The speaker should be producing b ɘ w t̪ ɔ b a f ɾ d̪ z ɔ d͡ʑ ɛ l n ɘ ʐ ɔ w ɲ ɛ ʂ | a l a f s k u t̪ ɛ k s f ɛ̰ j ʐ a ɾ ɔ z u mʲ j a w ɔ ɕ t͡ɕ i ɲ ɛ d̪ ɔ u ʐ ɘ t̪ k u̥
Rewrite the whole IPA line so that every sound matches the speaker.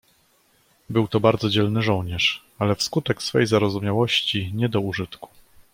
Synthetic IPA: b ɘ w t̪ ɔ b a ɾ d̪ z ɔ d͡ʑ ɛ l n ɘ ʐ ɔ w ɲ ɛ ʂ | a l ɛ f s k u t̪ ɛ k s f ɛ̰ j z a ɾ ɔ z u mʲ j a w ɔ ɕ t͡ɕ i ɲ ɛ d̪ ɔ u ʐ ɘ t̪ k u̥

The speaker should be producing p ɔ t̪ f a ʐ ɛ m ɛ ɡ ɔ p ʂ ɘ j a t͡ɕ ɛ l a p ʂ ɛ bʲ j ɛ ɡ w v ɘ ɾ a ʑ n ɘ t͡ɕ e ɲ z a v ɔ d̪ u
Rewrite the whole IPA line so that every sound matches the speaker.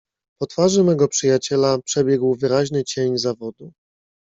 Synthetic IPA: p ɔ t̪ f a ʐ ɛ m ɛ ɡ ɔ p ʂ ɘ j a t͡ɕ ɛ l a p ʂ ɛ bʲ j ɛ ɡ w v ɘ ɾ a ʑ n ɘ t͡ɕ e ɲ z a v ɔ d̪ u

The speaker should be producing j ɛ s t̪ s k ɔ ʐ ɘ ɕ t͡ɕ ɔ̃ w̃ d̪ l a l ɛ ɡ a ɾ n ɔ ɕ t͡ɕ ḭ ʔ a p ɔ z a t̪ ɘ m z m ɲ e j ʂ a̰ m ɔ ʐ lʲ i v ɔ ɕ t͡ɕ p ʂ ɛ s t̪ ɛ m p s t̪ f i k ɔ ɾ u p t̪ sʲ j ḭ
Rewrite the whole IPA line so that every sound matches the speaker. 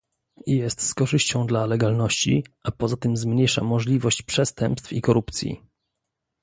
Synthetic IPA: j ɛ s t̪ s k ɔ ʐ ɘ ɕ t͡ɕ ɔ̃ w̃ d̪ l a l ɛ ɡ a l n ɔ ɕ t͡ɕ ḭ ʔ a p ɔ z a t̪ ɘ m z m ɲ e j ʂ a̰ m ɔ ʐ lʲ i v ɔ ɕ t͡ɕ p ʂ ɛ s t̪ ɛ m p s t̪ f i k ɔ ɾ u p t̪ sʲ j ḭ

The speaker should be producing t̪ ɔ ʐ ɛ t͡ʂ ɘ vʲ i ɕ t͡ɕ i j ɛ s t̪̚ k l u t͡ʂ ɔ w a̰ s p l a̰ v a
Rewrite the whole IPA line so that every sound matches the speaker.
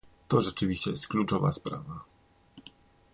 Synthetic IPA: t̪ ɔ ʐ ɛ t͡ʂ ɘ vʲ i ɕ t͡ɕ ɛ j ɛ s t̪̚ k l u t͡ʂ ɔ v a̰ s p ɾ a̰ v a

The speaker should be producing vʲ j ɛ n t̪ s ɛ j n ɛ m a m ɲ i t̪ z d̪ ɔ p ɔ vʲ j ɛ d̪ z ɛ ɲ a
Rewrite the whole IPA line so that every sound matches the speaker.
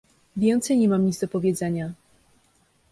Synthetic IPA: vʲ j ɛ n t̪ s ɛ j ɲ ɛ m a m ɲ i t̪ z d̪ ɔ p ɔ vʲ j ɛ d̪ z ɛ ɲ a

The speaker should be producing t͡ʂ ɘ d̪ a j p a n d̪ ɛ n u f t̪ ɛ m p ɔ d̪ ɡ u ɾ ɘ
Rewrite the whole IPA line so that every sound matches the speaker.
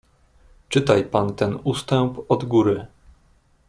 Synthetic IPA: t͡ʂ ɘ t̪ a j p a n t̪ ɛ n u s t̪ ɛ m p ɔ d̪ ɡ u ɾ ɘ

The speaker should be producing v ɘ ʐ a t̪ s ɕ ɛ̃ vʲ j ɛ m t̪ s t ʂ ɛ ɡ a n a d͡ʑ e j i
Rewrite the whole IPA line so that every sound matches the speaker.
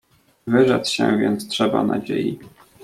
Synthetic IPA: v ɘ ʐ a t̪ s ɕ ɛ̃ vʲ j ɛ n t̪ s t ʂ ɛ b a n a d͡ʑ e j i

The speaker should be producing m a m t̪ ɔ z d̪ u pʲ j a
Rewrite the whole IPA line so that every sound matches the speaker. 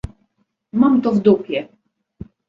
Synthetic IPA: m a m t̪ ɔ v d̪ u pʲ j ɛ

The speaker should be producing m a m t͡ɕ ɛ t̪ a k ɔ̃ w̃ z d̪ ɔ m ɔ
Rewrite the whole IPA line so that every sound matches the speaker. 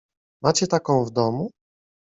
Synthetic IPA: m a t͡ɕ ɛ t̪ a k ɔ̃ w̃ v d̪ ɔ m u

